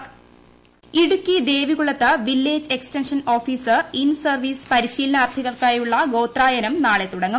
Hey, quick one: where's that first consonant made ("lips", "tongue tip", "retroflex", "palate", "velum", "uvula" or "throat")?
retroflex